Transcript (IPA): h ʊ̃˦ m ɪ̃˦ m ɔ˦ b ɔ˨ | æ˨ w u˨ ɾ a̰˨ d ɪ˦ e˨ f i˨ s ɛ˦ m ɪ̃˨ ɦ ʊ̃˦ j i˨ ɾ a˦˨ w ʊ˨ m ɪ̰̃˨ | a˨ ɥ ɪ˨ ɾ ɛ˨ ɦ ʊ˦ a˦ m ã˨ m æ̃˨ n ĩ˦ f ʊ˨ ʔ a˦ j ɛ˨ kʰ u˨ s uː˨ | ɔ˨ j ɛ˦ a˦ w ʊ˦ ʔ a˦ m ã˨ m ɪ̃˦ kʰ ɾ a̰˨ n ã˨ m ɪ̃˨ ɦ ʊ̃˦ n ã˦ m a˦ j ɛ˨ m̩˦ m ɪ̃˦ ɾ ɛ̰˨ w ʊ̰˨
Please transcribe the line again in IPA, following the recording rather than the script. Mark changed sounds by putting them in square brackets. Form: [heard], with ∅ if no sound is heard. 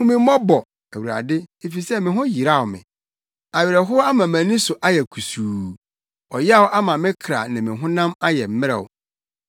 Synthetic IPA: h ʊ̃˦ m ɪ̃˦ m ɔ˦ b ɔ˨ | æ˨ w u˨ ɾ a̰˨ d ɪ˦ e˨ f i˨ s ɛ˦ m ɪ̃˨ ɦ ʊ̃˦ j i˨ ɾ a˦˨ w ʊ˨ m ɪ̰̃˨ | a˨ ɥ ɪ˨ ɾ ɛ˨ ɦ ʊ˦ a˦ m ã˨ m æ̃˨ n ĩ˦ [s] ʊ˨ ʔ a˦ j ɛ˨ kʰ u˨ s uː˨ | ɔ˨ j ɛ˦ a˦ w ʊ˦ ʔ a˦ m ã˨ m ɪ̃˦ kʰ ɾ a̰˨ n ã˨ m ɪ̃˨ ɦ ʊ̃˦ n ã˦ m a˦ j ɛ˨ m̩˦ m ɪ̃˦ ɾ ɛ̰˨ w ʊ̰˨